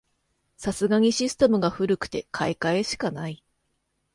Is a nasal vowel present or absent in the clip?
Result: absent